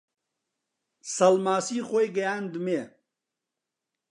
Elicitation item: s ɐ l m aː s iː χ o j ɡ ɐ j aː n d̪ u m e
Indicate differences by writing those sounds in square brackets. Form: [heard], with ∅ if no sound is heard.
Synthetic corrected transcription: s ɐ l m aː s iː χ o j ɡ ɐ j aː n d̪ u m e